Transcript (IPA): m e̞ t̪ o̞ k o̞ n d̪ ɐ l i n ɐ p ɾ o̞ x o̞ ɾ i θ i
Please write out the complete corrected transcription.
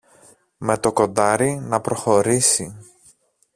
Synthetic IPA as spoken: m e̞ t̪ o̞ k o̞ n d̪ ɐ ɾ i n ɐ p ɾ o̞ x o̞ ɾ i s i